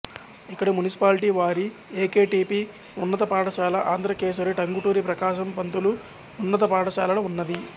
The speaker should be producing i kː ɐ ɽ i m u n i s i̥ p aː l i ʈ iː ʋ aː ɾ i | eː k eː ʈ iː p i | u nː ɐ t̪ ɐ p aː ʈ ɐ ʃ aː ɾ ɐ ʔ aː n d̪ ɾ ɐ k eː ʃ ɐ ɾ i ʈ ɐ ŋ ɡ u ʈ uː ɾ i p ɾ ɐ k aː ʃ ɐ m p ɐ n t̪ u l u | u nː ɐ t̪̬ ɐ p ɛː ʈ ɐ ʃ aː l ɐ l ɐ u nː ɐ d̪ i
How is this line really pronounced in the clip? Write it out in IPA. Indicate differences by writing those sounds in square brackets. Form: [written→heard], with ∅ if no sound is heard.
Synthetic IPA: i kː ɐ ɽ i m u n i s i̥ p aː l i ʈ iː ʋ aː ɾ i | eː k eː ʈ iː p i | u nː ɐ t̪ ɐ p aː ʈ ɐ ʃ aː [ɾ→l] ɐ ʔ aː n d̪ ɾ ɐ k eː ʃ ɐ ɾ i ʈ ɐ ŋ ɡ u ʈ uː ɾ i p ɾ ɐ k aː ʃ ɐ m p ɐ n t̪ u l u | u nː ɐ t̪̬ ɐ p [ɛː→aː] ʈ ɐ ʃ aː l ɐ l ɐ u nː ɐ d̪ i